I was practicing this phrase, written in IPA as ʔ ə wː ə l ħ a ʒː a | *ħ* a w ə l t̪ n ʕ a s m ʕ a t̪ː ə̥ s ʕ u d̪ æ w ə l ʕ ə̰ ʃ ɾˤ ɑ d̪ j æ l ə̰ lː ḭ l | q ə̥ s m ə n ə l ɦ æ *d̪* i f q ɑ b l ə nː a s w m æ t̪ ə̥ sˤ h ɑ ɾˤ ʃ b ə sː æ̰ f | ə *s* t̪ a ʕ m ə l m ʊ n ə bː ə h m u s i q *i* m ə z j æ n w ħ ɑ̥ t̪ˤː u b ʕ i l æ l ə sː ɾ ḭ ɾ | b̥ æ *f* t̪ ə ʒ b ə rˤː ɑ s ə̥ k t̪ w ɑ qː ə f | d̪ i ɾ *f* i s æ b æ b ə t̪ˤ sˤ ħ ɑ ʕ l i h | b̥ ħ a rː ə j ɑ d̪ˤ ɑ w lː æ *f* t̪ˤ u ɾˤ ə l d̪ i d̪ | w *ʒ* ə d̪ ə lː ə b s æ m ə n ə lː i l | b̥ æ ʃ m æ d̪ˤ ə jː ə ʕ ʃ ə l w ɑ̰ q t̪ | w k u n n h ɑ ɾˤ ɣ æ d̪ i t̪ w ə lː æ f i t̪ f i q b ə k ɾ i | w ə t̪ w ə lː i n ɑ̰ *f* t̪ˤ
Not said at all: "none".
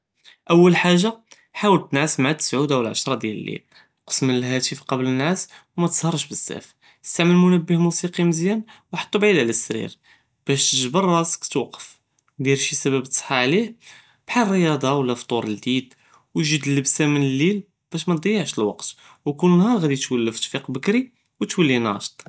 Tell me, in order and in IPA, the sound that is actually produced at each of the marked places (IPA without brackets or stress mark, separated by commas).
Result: ħ, t̪, s, i, ʃ, ʃ, f, ʒ, ʃ